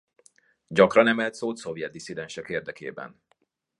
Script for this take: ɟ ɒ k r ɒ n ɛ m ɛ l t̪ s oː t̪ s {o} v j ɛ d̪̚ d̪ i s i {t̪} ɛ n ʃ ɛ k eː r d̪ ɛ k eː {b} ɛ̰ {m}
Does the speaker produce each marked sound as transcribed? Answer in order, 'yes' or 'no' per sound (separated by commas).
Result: yes, no, yes, no